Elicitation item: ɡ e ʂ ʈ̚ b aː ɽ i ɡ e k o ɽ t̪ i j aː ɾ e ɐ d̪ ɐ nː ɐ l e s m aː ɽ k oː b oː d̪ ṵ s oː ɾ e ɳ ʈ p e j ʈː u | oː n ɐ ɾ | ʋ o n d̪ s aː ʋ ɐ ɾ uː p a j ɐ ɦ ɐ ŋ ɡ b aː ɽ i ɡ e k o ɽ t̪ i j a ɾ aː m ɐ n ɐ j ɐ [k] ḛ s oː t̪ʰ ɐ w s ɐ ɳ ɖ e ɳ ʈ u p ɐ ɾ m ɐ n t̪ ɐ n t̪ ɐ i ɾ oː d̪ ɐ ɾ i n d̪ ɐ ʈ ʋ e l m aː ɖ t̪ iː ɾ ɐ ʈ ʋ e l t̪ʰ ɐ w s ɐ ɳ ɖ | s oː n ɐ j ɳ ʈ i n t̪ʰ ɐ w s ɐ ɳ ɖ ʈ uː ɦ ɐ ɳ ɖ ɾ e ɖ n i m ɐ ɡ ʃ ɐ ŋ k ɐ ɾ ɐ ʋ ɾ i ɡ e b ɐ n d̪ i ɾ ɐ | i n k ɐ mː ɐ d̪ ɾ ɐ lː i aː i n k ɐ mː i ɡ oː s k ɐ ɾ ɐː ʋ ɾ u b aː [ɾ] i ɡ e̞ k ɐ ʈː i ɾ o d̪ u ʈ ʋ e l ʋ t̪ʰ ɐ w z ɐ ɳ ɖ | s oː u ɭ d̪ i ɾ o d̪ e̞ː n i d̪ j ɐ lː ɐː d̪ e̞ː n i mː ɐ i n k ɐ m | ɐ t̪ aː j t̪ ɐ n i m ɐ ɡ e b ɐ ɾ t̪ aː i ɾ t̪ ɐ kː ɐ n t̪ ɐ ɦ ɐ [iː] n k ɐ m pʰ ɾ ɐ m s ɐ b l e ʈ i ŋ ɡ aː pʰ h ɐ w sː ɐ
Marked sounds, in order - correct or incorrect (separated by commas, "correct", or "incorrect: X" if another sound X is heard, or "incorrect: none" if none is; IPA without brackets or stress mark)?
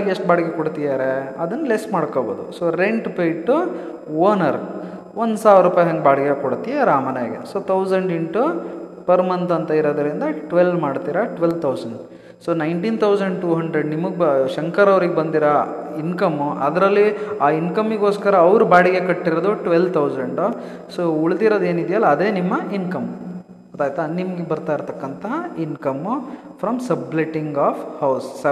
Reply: incorrect: ɡ, incorrect: ɽ, incorrect: i